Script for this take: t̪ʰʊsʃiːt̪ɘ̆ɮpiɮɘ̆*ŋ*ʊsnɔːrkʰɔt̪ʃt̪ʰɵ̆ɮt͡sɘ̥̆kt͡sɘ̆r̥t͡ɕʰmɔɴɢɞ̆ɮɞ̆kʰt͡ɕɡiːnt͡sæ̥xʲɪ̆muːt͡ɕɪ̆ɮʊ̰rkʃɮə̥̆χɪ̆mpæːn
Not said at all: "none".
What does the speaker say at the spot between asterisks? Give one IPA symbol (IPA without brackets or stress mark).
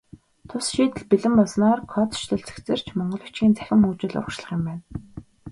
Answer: m